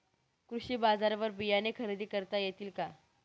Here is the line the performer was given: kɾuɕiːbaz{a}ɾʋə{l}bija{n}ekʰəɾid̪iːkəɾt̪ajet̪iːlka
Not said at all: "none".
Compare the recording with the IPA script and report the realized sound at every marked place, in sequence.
a, ɾ, n

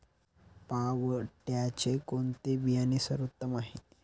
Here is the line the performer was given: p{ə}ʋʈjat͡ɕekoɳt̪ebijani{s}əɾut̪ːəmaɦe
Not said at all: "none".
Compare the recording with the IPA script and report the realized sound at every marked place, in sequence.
a, s

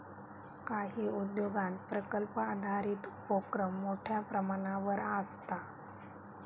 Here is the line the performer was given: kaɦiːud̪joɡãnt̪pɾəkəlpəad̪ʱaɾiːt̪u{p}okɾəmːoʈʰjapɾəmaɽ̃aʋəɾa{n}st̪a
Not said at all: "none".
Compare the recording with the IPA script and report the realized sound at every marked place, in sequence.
p, none

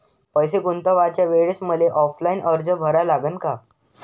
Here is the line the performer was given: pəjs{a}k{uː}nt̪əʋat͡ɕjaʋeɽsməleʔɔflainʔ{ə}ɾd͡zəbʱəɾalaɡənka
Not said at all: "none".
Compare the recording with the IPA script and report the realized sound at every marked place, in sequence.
e, u, ə

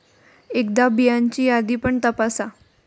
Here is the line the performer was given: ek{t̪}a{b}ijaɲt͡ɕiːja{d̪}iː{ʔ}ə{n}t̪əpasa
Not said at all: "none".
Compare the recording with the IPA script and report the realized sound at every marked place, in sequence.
d̪, b, d̪, p, ɳ

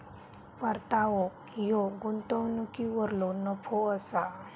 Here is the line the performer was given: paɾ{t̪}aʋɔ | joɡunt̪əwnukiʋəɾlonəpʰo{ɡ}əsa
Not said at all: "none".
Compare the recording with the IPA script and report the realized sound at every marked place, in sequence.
t̪, none

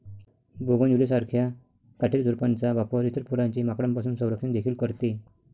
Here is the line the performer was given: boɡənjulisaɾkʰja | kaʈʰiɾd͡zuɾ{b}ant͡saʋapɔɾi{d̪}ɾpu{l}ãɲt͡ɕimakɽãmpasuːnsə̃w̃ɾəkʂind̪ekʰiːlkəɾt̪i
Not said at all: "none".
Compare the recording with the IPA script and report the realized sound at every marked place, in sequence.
p, t̪, ɾ

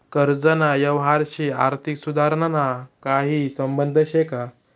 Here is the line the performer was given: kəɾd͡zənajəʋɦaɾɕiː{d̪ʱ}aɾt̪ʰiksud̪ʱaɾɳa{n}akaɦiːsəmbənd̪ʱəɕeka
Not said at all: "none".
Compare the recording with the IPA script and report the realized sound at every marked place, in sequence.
none, n

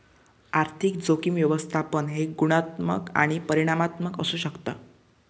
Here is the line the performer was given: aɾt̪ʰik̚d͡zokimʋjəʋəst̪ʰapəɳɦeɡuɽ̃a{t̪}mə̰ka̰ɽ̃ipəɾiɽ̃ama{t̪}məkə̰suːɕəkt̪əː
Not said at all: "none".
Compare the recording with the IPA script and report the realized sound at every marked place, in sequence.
t̪, t̪

